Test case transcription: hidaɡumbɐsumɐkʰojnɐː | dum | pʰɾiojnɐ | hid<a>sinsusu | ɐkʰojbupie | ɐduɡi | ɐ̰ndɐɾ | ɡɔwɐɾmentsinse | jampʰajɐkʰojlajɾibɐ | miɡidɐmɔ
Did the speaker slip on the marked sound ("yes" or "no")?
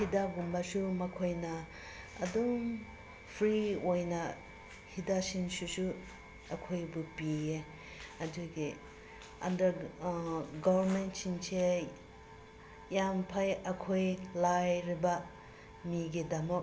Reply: no